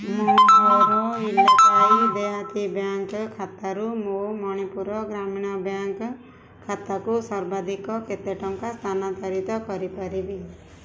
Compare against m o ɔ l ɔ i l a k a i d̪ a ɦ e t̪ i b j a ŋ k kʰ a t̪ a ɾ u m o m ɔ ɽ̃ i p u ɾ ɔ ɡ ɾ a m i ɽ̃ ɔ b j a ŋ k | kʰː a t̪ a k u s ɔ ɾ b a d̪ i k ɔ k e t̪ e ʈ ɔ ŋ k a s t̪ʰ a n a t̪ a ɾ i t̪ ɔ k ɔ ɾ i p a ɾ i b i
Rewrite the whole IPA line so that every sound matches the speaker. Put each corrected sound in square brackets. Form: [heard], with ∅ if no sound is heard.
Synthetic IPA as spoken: m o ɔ [ɾ] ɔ i l a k a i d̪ [e] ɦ [a] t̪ i b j a ŋ k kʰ a t̪ a ɾ u m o m ɔ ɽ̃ i p u ɾ ɔ ɡ ɾ a m i ɽ̃ ɔ b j a ŋ k | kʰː a t̪ a k u s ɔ ɾ b a d̪ i k ɔ k e t̪ e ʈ ɔ ŋ k a s t̪ʰ a n a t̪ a ɾ i t̪ ɔ k ɔ ɾ i p a ɾ i b i